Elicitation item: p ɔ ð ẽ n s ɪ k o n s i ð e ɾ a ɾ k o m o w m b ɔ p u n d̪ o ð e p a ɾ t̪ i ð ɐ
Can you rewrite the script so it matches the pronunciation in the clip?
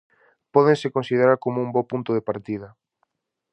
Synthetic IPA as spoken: p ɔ ð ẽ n s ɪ k o n s i ð e ɾ a ɾ k o m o u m b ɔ p u n t̪ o ð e p a ɾ t̪ i ð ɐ